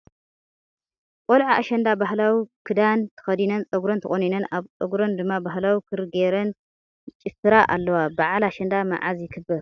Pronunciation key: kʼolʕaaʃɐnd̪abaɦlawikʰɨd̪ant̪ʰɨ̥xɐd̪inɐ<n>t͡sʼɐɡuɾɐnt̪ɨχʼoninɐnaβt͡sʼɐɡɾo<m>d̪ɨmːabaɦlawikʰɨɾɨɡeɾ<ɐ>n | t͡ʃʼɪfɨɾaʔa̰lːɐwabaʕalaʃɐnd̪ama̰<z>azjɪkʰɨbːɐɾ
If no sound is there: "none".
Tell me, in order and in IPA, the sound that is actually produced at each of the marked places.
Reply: n, n, ɐ, ʕ

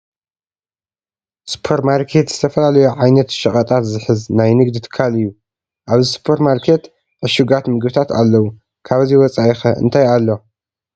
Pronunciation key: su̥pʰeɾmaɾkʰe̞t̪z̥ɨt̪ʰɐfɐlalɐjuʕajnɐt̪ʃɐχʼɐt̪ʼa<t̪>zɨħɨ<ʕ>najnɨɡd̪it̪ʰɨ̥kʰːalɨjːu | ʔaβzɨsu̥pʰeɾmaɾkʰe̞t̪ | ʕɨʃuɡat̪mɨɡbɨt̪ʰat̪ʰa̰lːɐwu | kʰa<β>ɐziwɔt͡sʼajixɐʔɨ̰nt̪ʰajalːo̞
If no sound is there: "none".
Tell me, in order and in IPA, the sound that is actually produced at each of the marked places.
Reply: t̪, z, β

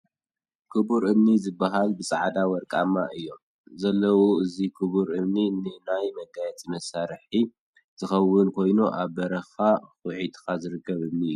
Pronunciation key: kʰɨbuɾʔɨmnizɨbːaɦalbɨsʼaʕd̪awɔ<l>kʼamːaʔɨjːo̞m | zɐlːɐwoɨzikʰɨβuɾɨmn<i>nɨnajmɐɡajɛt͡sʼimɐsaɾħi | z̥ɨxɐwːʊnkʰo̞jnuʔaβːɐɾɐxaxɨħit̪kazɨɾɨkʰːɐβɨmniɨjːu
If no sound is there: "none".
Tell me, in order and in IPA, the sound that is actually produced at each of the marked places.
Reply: ɾ, i

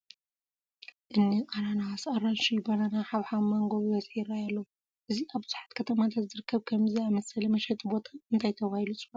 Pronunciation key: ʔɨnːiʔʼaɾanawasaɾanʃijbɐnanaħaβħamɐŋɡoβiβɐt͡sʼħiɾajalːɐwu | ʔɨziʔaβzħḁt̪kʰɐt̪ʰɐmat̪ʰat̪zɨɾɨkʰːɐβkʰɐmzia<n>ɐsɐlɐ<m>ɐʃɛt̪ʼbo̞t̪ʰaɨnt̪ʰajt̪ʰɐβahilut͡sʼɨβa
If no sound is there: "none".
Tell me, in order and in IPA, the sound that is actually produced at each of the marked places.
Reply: m, m

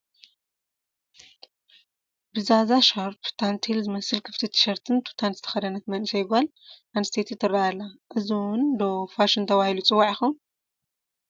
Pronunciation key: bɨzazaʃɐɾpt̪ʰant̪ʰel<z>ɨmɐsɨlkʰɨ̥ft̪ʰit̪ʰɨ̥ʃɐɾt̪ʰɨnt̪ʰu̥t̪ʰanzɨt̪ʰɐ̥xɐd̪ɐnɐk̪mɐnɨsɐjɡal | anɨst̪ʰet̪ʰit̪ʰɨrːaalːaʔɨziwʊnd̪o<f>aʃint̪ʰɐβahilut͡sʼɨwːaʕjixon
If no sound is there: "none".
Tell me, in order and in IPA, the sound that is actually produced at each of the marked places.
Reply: z, f

